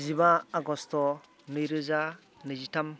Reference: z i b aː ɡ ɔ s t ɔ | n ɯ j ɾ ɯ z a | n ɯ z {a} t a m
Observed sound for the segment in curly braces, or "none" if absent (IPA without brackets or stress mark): i